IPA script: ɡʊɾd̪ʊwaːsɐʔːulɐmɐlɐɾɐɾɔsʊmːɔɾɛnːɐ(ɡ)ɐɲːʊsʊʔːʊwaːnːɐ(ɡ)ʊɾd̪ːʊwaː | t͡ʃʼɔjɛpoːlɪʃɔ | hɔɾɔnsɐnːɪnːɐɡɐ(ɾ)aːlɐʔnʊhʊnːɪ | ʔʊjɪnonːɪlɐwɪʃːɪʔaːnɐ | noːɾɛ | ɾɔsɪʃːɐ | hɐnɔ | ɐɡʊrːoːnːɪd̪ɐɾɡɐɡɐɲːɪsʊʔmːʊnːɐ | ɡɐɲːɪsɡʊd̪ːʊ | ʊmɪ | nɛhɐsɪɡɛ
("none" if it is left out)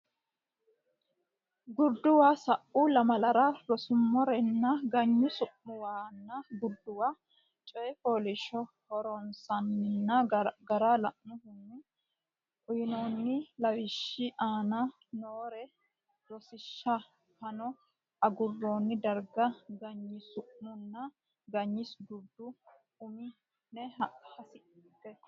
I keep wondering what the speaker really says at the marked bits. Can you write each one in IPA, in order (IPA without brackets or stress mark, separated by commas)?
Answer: ɡ, ɡ, ɾ